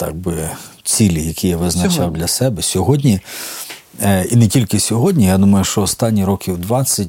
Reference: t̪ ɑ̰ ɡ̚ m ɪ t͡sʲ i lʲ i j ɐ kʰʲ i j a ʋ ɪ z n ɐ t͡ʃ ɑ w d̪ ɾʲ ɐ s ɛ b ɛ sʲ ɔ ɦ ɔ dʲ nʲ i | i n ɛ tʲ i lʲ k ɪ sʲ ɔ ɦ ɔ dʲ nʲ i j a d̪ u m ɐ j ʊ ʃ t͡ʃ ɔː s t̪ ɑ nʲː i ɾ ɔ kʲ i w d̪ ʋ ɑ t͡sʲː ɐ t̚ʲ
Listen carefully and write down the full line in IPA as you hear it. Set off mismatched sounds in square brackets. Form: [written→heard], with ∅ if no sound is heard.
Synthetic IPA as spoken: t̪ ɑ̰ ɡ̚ [m→b] ɪ t͡sʲ i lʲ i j ɐ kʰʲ i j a ʋ ɪ z n ɐ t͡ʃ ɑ w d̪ [ɾʲ→lʲ] ɐ s ɛ b ɛ sʲ ɔ ɦ ɔ dʲ nʲ i | i n ɛ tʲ i lʲ k ɪ sʲ ɔ ɦ ɔ dʲ nʲ i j a d̪ u m ɐ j ʊ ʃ t͡ʃ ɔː s t̪ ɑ nʲː i ɾ ɔ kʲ i w d̪ ʋ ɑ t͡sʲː ɐ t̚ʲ